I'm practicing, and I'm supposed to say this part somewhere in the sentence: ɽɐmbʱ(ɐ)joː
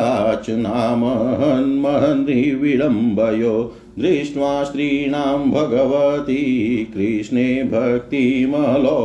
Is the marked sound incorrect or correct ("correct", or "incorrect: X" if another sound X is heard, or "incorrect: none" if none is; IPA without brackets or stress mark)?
correct